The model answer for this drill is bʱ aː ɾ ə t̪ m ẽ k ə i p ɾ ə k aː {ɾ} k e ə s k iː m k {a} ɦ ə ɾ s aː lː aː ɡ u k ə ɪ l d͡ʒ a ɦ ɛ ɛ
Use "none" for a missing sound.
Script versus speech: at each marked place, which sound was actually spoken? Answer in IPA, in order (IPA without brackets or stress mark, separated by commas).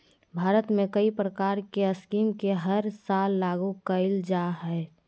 ɾ, e